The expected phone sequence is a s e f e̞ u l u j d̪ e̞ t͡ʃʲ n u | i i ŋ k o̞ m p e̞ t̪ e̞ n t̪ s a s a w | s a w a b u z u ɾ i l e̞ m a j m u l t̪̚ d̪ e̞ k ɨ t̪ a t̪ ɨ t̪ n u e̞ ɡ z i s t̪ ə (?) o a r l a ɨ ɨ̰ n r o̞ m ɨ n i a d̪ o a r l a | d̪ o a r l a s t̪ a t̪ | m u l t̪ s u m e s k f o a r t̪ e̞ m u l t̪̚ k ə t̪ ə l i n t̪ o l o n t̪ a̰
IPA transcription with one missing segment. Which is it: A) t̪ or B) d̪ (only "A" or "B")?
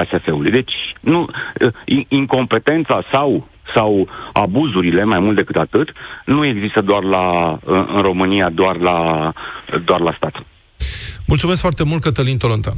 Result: B